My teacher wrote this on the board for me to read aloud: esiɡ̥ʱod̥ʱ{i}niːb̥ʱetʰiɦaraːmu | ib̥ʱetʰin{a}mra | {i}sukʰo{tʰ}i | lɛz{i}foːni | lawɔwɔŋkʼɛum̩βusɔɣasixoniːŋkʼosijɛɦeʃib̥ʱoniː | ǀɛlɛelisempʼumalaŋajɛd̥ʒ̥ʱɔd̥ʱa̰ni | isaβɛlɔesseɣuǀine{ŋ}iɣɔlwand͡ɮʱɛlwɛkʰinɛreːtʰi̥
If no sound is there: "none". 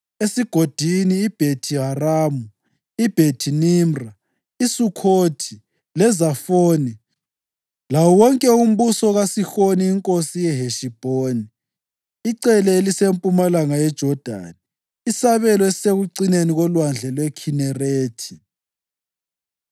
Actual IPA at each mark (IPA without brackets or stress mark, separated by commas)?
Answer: i, i, i, tʰ, a, n